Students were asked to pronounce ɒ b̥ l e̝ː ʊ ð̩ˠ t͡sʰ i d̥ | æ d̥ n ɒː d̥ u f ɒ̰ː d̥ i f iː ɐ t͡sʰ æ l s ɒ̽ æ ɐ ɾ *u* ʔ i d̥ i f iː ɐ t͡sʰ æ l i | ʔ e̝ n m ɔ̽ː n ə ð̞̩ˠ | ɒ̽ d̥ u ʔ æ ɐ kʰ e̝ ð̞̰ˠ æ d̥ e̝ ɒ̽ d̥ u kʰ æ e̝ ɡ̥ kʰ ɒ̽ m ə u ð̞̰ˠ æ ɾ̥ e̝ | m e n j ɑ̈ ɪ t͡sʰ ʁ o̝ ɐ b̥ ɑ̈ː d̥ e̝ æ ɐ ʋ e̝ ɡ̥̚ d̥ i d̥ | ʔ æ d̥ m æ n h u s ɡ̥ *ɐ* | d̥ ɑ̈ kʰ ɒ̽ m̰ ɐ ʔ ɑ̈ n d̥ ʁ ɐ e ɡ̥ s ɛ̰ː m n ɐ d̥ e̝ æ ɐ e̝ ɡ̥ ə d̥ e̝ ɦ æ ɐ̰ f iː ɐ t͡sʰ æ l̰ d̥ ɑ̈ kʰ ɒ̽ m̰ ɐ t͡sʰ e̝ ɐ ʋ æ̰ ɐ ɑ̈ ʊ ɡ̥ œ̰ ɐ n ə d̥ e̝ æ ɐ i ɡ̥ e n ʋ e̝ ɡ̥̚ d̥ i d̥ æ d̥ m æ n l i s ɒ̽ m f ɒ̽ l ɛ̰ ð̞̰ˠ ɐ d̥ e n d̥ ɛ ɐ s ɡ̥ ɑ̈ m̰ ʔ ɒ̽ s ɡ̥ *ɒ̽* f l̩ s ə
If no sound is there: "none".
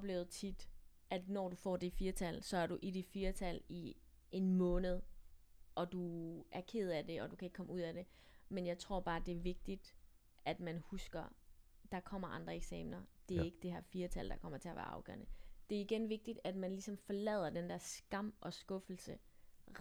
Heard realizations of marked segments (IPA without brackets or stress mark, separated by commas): u, ɐ, ɔ̽